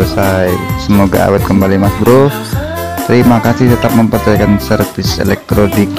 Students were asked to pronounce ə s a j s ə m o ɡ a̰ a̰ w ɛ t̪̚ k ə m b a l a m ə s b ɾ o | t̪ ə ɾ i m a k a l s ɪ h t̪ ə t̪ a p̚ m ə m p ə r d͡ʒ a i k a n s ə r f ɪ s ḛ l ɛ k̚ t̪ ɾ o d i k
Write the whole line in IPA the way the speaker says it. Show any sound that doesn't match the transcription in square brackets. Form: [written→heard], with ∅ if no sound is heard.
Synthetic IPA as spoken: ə s a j s ə m o ɡ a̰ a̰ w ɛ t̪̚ k ə m b a l [a→i] m [ə→a] s b ɾ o | t̪ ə ɾ i m a k a [l→∅] s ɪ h t̪ ə t̪ a p̚ m ə m p ə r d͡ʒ a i k a n s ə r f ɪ s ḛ l ɛ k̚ t̪ ɾ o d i k

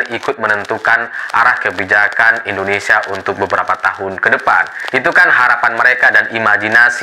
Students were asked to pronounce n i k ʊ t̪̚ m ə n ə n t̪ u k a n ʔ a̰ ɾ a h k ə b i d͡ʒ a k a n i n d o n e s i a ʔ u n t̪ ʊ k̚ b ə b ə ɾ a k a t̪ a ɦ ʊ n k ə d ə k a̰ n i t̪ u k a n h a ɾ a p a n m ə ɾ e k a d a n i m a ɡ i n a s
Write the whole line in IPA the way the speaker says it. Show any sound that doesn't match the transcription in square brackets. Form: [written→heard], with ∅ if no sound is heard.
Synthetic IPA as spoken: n i k ʊ t̪̚ m ə n ə n t̪ u k a n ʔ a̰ ɾ a h k ə b i d͡ʒ a k a n i n d o n e s i a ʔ u n t̪ ʊ k̚ b ə b ə ɾ a [k→p] a t̪ a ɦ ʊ n k ə d ə [k→p] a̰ n i t̪ u k a n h a ɾ a p a n m ə ɾ e k a d a n i m a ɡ i n a s

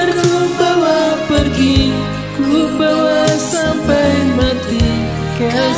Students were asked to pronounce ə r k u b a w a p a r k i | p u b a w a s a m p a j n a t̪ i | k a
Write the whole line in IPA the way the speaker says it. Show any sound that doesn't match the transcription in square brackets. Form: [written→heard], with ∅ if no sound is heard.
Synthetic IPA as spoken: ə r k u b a w a p [a→ə] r [k→ɡ] i | [p→k] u b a w a s a m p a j [n→m] a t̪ i | k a

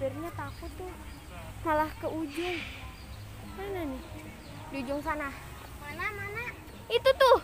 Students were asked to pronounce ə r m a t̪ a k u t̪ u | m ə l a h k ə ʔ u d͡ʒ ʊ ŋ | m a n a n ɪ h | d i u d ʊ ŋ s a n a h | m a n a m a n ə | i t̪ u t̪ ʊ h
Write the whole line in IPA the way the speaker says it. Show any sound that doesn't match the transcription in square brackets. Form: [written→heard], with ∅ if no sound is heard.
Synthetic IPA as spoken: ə r [m→ɲ] a t̪ a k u t̪ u | m [ə→a] l a h k ə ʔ u d͡ʒ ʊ ŋ | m a n a n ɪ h | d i u [d→d͡ʒ] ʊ ŋ s a n a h | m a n a m a n [ə→a] | i t̪ u t̪ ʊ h

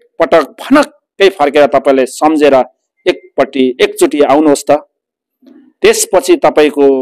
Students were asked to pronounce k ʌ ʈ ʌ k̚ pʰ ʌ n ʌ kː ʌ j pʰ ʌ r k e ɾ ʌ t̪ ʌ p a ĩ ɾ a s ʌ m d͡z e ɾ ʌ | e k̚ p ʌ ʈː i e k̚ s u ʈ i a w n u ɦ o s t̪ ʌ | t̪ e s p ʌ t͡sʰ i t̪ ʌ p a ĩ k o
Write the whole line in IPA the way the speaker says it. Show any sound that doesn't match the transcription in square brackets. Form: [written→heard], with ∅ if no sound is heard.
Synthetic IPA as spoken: [k→p] ʌ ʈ ʌ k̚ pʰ ʌ n ʌ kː ʌ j pʰ ʌ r k e ɾ ʌ t̪ ʌ p a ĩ [ɾ→l] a s ʌ m d͡z e ɾ ʌ | e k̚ p ʌ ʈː i e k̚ [s→t͡s] u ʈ i a w n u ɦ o s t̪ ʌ | t̪ e s p ʌ t͡sʰ i t̪ ʌ p a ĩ k o

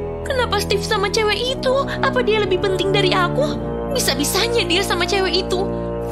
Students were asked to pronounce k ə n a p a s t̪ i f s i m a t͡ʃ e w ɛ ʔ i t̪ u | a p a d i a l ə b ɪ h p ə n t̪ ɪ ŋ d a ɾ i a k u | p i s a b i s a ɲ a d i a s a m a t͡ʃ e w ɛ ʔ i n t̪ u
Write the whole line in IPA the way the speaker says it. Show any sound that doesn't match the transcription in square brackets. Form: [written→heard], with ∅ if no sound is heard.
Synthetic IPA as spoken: k ə n a p a s t̪ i f s [i→a] m a t͡ʃ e w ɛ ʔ i t̪ u | a p a d i a l ə b ɪ h p ə n t̪ ɪ ŋ d a ɾ i a k u | [p→b] i s a b i s a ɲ a d i a s a m a t͡ʃ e w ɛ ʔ i [n→∅] t̪ u

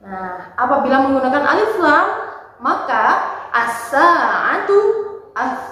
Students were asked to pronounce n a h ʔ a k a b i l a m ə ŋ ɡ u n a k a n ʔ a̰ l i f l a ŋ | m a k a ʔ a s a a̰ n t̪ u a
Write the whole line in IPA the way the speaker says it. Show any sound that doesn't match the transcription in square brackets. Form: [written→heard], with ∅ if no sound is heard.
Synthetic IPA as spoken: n a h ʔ a [k→p] a b i l a m ə ŋ ɡ u n a k a n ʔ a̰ l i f l a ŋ | m a k a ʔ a s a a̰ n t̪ u a

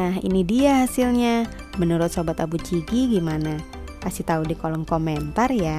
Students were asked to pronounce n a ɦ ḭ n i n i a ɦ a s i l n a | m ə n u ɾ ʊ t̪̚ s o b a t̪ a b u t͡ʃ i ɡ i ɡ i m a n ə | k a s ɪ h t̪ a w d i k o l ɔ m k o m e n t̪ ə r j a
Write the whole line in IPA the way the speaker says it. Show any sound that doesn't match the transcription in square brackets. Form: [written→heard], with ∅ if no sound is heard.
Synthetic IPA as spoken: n a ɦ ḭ n i [n→d] i a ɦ a s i l [n→ɲ] a | m ə n u ɾ ʊ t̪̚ s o b a t̪ a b u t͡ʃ i ɡ i ɡ i m a n [ə→a] | k a s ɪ h t̪ a [w→u] d i k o l ɔ [m→ŋ] k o m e n t̪ [ə→a] r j a

